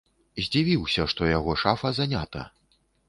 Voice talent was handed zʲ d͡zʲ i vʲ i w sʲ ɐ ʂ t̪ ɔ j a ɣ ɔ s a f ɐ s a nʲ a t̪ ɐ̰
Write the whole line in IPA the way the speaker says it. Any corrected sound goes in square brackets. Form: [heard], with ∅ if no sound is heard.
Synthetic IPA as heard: zʲ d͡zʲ i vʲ i w sʲ ɐ ʂ t̪ ɔ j a ɣ ɔ [ʂ] a f ɐ [z] a nʲ a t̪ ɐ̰